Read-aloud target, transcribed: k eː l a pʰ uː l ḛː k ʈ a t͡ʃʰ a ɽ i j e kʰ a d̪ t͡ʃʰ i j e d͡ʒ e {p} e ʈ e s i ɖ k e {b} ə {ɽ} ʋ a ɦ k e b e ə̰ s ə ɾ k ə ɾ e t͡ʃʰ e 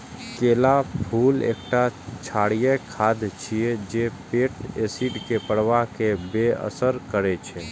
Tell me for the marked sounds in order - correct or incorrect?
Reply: correct, incorrect: p, correct

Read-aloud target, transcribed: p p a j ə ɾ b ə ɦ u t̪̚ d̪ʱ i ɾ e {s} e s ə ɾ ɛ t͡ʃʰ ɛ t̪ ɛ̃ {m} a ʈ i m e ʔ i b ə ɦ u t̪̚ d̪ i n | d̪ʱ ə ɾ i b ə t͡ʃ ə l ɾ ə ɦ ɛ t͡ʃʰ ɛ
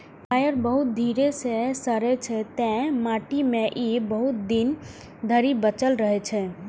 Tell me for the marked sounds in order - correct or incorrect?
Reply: correct, correct

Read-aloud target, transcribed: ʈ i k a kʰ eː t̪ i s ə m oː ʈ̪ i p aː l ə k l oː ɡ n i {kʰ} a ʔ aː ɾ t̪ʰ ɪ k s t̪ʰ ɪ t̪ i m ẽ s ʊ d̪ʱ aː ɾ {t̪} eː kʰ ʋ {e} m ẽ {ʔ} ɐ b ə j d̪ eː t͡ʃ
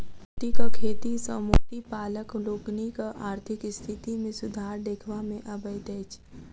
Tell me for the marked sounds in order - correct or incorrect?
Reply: incorrect: k, incorrect: d̪, incorrect: a, correct

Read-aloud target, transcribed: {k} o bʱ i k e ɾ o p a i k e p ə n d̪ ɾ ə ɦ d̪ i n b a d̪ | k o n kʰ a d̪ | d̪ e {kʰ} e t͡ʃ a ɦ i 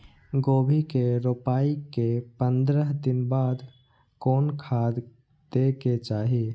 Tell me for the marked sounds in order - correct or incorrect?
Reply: incorrect: ɡ, incorrect: k

